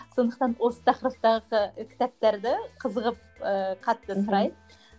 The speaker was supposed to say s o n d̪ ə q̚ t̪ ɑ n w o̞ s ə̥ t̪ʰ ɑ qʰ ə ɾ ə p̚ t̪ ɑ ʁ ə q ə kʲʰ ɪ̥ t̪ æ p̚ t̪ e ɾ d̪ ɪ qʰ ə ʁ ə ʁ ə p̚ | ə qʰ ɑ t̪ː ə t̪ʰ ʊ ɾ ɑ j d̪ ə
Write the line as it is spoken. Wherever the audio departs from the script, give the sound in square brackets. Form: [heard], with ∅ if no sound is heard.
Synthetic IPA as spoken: s o n d̪ ə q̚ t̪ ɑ n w o̞ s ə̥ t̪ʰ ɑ [q] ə ɾ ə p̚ t̪ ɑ ʁ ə q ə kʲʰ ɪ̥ t̪ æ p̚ t̪ e ɾ d̪ ɪ qʰ ə [z] ə ʁ ə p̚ | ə qʰ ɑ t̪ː ə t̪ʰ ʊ ɾ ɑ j d̪ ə